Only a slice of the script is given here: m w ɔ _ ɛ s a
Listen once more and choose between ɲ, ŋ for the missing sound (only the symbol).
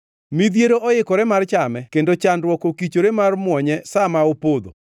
ɲ